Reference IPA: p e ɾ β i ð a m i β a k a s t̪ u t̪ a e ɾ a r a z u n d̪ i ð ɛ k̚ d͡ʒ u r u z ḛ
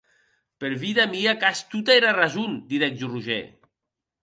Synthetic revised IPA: p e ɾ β i ð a m i a k a s t̪ u t̪ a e ɾ a r a z u n d̪ i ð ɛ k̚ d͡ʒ u r u ʒ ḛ